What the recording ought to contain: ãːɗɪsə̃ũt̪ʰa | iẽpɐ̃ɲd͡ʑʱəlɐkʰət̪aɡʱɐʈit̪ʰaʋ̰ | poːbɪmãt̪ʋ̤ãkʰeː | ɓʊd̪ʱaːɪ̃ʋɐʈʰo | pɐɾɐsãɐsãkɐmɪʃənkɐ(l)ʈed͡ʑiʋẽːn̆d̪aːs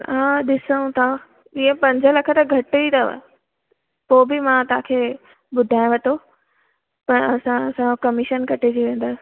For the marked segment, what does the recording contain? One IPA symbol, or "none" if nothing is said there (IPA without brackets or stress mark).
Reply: none